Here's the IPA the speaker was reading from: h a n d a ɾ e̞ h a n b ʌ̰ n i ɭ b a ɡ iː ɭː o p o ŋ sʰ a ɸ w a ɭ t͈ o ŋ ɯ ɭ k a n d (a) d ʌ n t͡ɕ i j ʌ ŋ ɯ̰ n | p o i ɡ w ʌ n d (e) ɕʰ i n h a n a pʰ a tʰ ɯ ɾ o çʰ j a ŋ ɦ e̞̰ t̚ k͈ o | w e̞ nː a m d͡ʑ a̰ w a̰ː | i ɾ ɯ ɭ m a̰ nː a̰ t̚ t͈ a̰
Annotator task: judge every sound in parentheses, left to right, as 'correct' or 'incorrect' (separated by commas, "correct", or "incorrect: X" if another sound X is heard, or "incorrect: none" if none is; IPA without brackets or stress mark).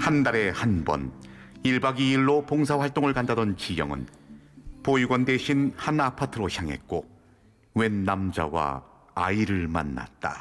correct, correct